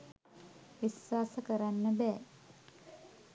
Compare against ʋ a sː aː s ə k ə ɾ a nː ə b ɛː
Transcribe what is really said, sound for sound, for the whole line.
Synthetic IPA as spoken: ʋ i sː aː s ə k ə ɾ a nː ə b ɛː